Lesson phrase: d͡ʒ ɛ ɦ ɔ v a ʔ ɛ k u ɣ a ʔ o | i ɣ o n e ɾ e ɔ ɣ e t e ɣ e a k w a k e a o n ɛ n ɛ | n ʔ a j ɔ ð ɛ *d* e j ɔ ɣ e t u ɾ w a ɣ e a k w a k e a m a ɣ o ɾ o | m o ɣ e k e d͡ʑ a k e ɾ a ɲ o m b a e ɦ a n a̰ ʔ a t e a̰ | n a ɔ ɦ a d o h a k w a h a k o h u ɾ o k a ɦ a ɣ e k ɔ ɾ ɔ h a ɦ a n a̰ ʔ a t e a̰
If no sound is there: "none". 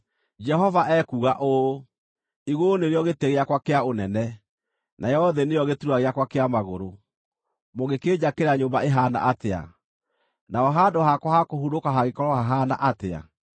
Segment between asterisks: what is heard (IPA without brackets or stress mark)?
n